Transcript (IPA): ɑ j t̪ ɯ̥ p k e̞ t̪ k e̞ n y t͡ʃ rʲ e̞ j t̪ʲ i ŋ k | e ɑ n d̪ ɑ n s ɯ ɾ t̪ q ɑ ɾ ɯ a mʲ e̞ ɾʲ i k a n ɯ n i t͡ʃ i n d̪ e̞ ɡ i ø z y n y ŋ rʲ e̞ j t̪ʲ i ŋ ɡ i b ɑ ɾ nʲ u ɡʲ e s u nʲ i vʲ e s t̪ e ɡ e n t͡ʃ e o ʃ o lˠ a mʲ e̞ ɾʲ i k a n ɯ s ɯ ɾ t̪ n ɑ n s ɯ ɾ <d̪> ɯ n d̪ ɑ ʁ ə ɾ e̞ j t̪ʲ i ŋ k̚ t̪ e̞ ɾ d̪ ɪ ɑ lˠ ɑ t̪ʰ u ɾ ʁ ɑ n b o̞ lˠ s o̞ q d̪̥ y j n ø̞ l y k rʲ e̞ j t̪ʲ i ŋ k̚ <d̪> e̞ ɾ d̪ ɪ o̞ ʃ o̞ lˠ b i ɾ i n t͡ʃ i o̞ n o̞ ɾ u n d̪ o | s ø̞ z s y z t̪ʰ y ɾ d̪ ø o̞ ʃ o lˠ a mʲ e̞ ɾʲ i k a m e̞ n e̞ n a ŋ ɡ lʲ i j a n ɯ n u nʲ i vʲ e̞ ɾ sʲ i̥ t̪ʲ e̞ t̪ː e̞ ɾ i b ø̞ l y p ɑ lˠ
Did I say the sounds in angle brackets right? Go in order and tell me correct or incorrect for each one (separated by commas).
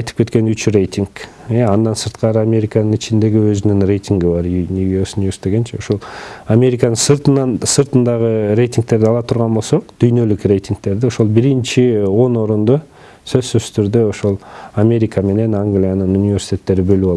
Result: incorrect, incorrect